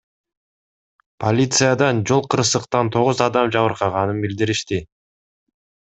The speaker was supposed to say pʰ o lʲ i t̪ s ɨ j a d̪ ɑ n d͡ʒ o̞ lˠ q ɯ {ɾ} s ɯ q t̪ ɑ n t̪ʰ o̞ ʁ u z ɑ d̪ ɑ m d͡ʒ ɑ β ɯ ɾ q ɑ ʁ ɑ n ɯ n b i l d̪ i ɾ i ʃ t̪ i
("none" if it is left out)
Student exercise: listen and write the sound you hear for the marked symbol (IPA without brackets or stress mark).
ɾ